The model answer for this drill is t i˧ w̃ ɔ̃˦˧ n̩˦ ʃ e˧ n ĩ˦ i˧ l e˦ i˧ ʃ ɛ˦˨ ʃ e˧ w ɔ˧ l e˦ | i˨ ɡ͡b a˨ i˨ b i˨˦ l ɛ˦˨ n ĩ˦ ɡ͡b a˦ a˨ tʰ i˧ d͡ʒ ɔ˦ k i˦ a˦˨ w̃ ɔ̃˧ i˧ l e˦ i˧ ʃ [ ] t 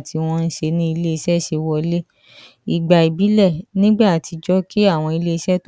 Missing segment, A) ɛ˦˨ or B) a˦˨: A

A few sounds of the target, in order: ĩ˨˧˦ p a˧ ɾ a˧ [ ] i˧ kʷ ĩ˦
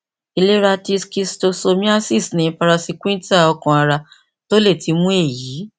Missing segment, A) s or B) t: A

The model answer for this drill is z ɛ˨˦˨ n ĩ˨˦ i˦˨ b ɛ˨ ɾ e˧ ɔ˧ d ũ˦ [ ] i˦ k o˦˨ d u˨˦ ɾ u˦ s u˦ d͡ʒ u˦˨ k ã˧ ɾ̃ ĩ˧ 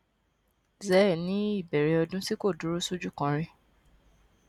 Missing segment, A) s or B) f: A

